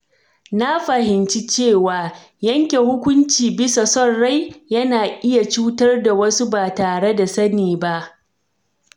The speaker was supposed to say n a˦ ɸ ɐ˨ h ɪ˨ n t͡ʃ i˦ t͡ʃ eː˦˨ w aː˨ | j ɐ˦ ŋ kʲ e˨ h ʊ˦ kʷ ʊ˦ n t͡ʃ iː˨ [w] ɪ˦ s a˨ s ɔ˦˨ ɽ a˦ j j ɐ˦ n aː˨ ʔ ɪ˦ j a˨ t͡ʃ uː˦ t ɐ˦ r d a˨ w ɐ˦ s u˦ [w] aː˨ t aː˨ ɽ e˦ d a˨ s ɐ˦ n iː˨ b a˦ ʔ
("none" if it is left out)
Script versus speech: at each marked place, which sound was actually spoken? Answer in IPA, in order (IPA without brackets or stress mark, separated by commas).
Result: b, b